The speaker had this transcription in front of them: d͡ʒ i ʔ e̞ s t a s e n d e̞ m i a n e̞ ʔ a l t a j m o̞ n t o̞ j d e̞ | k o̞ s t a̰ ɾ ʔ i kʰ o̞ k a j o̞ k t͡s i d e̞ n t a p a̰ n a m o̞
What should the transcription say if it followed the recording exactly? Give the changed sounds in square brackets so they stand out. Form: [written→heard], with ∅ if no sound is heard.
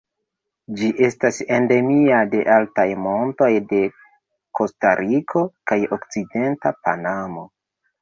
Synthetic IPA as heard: d͡ʒ i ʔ e̞ s t a s e n d e̞ m i a [n→d] e̞ ʔ a l t a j m o̞ n t o̞ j d e̞ | k o̞ s t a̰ ɾ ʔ i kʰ o̞ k a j o̞ k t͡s i d e̞ n t a p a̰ n a m o̞